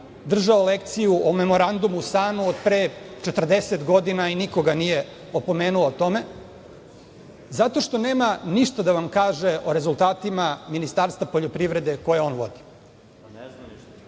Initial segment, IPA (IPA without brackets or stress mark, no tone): d̪